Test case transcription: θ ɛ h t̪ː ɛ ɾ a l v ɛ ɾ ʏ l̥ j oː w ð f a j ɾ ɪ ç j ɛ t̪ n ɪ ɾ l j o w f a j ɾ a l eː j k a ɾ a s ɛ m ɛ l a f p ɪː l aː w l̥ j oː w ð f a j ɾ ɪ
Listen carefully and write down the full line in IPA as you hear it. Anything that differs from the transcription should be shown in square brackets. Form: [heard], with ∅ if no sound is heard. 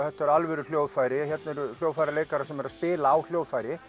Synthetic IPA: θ ɛ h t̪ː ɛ ɾ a l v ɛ ɾ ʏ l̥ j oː w ð f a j ɾ ɪ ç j ɛ t̪ n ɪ ɾ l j o w f a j ɾ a l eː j k a ɾ a s ɛ m ɛ [ɾ] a [s] p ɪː l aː w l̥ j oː w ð f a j ɾ ɪ